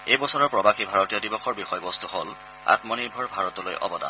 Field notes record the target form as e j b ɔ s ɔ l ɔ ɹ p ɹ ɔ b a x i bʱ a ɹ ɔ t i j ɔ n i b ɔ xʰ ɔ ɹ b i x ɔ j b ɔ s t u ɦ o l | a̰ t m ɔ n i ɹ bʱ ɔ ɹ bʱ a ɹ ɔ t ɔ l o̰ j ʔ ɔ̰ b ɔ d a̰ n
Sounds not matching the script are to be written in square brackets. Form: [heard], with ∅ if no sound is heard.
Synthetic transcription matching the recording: e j b ɔ s ɔ [ɹ] ɔ ɹ p ɹ ɔ b a x i bʱ a ɹ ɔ t i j ɔ [d] i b ɔ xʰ ɔ ɹ b i x ɔ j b ɔ s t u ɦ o l | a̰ t m ɔ n i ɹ bʱ ɔ ɹ bʱ a ɹ ɔ t ɔ l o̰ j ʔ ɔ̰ b ɔ d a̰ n